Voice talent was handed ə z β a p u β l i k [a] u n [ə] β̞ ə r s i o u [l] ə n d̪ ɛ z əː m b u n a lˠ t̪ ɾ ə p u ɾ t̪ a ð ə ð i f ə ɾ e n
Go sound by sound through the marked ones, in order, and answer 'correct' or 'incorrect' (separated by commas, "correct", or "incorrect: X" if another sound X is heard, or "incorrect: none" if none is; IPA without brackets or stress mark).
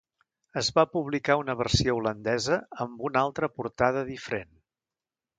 correct, correct, correct